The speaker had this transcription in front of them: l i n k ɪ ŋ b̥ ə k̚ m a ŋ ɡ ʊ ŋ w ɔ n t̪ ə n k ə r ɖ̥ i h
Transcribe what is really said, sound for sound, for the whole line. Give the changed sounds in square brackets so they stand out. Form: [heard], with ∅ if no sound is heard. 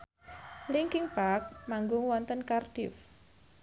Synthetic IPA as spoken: l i [ŋ] k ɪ ŋ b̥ [a] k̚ m a ŋ ɡ ʊ ŋ w ɔ n t̪ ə n k [a] r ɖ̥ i [f]